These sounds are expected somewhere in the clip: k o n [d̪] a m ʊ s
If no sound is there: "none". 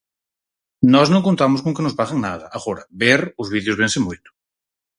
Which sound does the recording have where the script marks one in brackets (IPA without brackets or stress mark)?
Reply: t̪